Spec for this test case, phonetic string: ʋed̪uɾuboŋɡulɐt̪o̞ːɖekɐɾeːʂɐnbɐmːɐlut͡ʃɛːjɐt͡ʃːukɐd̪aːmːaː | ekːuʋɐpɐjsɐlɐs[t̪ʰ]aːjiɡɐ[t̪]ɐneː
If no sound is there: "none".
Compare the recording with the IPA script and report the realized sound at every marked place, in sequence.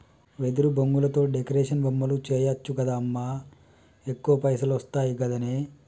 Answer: t̪, d̪

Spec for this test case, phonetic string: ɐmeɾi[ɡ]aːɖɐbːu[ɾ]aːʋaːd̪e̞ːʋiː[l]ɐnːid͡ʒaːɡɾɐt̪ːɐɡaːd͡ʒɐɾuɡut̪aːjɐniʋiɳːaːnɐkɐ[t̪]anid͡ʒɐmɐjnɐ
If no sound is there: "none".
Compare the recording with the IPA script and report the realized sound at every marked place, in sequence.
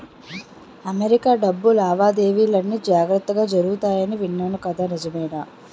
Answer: k, l, l, d̪

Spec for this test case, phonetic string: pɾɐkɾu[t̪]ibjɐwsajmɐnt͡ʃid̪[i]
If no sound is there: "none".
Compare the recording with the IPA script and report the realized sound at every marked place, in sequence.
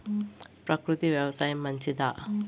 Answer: t̪, a

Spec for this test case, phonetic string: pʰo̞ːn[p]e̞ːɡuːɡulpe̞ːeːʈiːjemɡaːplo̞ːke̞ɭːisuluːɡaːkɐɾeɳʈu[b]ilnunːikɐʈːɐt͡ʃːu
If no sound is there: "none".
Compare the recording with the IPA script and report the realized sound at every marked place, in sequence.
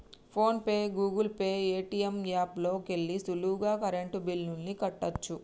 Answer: p, b

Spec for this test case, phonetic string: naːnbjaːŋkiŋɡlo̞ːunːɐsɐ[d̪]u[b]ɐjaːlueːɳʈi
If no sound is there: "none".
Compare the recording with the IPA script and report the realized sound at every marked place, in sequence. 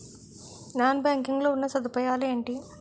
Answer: d̪, p

